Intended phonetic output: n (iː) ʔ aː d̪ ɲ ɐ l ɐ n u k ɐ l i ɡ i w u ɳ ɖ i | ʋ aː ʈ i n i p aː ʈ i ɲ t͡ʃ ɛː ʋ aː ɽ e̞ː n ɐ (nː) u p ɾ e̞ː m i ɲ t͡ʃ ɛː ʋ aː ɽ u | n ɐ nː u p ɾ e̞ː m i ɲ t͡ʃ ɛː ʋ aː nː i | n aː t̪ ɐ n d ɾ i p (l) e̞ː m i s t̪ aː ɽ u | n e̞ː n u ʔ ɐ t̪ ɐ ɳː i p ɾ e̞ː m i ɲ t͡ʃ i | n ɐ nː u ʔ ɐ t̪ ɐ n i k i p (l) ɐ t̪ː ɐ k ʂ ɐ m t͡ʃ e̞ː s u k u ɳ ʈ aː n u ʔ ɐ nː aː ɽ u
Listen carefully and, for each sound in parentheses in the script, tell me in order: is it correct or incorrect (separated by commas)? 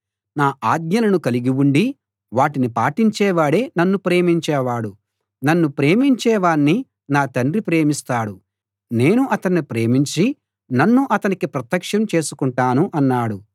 incorrect, correct, incorrect, incorrect